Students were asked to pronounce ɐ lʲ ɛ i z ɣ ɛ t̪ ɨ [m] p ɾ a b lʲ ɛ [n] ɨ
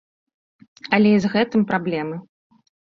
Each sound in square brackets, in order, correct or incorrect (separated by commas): correct, incorrect